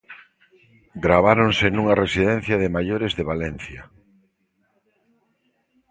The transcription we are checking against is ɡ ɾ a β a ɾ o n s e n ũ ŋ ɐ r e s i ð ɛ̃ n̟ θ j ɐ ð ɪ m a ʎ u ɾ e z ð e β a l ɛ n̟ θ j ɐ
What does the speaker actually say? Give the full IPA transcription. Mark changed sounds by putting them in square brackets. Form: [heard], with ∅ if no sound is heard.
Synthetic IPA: ɡ ɾ a β a ɾ o n s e n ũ ŋ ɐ r e s i ð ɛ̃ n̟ θ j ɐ ð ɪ m a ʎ [o] ɾ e z ð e β a l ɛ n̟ θ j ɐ